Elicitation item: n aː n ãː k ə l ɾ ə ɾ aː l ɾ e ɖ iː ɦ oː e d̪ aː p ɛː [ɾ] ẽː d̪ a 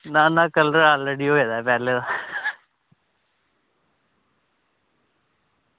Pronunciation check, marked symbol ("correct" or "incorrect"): incorrect